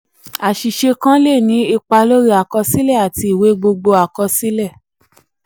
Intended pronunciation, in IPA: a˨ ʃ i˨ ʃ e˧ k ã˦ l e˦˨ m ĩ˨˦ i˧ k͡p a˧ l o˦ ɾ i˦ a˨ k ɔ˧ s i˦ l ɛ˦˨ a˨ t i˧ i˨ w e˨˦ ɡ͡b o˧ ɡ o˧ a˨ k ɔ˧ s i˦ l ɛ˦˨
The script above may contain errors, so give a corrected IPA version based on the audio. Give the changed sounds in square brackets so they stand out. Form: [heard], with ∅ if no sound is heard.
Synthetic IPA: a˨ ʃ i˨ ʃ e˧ k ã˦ l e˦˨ [n] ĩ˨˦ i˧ k͡p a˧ l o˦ ɾ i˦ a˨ k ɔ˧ s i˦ l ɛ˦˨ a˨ t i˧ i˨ w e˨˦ ɡ͡b o˧ [ɡ͡b] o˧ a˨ k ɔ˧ s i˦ l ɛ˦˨